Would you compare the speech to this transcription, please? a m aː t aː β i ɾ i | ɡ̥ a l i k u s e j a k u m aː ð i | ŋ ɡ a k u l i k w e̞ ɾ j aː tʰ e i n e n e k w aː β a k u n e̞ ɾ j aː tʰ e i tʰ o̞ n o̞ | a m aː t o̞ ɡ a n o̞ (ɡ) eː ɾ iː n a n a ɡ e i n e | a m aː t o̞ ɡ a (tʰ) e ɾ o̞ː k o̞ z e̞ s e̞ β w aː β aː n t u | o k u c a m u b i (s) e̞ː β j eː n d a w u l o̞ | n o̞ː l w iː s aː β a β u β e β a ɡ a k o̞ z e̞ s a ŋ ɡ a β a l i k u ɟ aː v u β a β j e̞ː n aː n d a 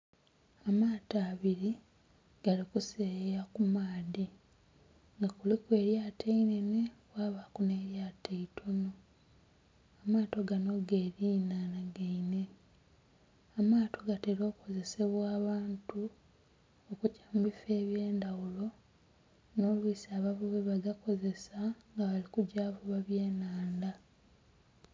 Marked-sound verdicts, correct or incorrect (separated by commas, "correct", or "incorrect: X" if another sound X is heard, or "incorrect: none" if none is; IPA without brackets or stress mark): correct, incorrect: t, incorrect: f